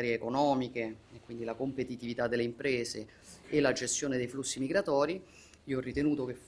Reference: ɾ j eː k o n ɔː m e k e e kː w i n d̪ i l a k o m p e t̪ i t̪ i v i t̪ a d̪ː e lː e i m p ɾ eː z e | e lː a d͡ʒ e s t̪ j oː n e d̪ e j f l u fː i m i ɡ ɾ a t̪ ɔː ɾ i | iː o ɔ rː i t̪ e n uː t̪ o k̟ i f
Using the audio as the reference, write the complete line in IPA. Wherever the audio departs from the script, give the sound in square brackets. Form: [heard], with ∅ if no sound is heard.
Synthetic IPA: ɾ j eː k o n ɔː m [i] k e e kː w i n d̪ i l a k o m p e t̪ i t̪ i v i t̪ a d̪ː e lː e i m p ɾ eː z e | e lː a d͡ʒ e s t̪ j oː n e d̪ e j f l u [sː] i m i ɡ ɾ a t̪ ɔː ɾ i | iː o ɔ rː i t̪ e n uː t̪ o k̟ [e] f